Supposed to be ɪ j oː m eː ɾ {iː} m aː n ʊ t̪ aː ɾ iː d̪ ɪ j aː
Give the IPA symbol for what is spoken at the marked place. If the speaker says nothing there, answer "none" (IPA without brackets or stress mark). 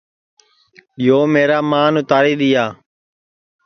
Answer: aː